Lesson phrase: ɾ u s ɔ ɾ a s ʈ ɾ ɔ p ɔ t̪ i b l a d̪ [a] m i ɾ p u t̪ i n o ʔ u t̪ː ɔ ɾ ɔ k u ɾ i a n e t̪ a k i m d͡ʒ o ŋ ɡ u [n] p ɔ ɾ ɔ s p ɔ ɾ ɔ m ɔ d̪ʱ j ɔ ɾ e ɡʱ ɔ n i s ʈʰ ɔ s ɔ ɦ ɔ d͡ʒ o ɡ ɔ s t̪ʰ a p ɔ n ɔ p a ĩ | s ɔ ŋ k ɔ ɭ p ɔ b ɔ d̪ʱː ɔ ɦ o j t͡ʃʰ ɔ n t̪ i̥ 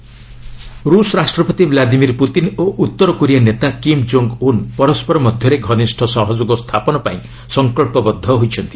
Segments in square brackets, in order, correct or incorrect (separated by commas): incorrect, correct